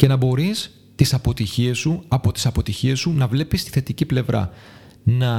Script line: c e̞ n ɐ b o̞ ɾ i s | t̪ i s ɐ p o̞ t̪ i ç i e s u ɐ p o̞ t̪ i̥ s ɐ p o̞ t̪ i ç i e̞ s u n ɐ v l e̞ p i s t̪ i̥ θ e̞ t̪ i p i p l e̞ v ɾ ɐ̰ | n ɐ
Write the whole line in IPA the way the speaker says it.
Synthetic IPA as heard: c e̞ n ɐ b o̞ ɾ i s | t̪ i s ɐ p o̞ t̪ i ç i e s u ɐ p o̞ t̪ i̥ s ɐ p o̞ t̪ i ç i e̞ s u n ɐ v l e̞ p i s t̪ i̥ θ e̞ t̪ i c i p l e̞ v ɾ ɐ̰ | n ɐ